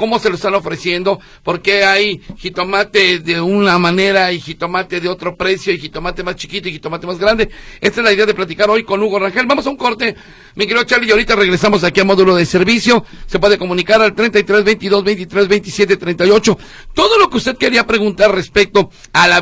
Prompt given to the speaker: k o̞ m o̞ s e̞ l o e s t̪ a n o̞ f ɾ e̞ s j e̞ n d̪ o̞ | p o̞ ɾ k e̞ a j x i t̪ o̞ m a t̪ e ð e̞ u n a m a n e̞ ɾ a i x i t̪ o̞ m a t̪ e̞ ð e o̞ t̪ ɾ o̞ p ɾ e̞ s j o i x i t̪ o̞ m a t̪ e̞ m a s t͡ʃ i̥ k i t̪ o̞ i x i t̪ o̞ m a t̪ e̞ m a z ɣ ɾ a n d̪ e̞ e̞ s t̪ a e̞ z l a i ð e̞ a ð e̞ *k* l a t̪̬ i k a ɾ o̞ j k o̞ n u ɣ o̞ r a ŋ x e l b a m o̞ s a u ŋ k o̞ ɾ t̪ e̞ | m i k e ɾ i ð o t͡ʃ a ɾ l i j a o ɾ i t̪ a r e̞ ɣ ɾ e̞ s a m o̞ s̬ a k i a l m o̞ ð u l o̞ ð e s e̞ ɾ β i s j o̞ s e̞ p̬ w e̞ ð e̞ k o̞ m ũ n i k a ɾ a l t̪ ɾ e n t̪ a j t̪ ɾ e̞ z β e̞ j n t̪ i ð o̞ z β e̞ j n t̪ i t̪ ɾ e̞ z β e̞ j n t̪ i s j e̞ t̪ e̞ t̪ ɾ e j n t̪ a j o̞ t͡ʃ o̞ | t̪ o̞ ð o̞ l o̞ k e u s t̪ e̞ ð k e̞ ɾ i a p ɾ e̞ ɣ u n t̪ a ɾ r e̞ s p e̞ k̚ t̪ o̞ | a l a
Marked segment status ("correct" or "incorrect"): incorrect